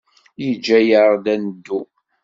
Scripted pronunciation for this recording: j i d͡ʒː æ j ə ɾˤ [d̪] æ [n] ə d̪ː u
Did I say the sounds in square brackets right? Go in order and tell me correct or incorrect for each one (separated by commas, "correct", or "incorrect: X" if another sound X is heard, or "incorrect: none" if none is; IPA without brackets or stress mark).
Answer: correct, correct